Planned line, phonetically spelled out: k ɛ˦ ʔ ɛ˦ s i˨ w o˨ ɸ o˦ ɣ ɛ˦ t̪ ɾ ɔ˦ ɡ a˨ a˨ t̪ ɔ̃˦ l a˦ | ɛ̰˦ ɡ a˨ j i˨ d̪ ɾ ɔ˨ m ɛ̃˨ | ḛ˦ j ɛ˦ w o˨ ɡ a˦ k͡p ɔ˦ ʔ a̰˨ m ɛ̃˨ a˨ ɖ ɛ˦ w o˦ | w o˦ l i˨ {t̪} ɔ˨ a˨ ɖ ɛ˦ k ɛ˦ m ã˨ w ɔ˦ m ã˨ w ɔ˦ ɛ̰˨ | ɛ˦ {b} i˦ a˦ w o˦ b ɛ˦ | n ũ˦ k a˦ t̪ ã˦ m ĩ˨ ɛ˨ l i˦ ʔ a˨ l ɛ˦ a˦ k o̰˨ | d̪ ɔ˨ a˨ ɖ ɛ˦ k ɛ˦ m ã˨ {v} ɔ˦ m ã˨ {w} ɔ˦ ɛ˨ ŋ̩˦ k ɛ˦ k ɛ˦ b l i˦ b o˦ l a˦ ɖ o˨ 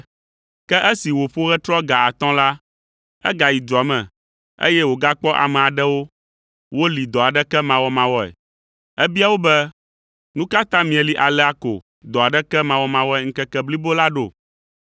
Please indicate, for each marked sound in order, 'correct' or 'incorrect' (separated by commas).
incorrect, correct, incorrect, correct